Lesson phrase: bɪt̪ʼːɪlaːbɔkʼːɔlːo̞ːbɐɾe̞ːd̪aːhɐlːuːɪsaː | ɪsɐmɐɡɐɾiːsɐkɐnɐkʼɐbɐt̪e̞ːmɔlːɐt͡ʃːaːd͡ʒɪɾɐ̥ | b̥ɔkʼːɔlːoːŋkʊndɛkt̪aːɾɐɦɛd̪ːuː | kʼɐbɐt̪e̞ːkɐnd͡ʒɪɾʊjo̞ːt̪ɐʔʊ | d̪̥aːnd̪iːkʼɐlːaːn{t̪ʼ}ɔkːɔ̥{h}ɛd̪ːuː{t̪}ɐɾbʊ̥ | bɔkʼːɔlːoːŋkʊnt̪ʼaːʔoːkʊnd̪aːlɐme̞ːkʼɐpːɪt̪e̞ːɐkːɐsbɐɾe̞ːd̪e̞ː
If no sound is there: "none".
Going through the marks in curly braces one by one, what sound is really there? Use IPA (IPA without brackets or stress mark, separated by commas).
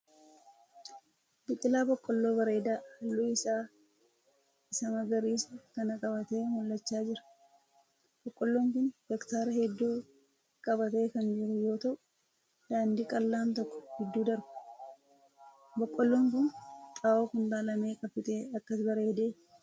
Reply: t̪, h, d̪